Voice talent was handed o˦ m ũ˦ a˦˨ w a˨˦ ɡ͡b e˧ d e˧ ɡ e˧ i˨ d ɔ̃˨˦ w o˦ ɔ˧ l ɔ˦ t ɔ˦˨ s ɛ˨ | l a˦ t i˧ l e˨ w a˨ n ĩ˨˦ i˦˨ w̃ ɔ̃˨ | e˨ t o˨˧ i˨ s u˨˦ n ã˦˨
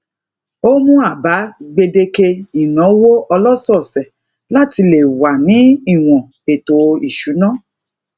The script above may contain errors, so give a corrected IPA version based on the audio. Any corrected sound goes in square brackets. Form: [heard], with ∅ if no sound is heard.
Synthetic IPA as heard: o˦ m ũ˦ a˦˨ [b] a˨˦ ɡ͡b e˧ d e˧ [k] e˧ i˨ [n] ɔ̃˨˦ w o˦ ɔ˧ l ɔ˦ [s] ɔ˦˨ s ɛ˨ | l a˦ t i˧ l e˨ w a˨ n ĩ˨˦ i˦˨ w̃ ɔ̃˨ | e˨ t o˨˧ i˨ [ʃ] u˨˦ n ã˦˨